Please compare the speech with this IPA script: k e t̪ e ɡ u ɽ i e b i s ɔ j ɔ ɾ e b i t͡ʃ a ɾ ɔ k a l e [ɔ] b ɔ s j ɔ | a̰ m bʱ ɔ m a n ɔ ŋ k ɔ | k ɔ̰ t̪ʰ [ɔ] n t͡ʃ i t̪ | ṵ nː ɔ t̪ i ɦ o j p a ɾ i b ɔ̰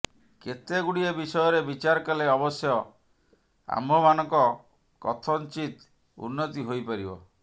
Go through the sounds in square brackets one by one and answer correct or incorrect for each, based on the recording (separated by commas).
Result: correct, correct